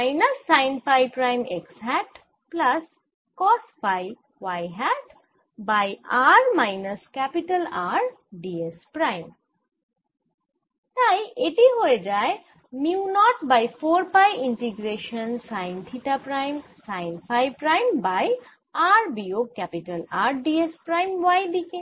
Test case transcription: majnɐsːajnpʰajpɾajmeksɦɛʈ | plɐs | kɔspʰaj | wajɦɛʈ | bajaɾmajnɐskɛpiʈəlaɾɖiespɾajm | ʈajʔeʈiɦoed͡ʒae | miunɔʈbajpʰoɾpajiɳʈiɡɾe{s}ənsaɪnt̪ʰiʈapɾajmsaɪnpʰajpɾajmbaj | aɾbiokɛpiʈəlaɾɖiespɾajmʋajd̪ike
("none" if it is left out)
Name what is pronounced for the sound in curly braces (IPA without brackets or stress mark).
ʃ